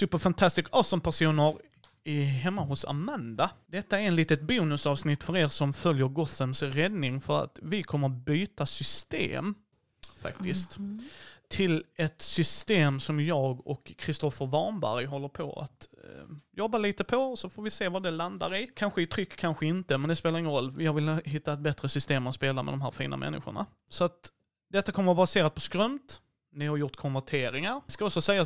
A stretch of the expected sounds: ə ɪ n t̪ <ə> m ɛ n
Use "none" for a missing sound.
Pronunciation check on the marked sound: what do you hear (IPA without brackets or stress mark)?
ə